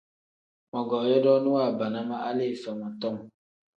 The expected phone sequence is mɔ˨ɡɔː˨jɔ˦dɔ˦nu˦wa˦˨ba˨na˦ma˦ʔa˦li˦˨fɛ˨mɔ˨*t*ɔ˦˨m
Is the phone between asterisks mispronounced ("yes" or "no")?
no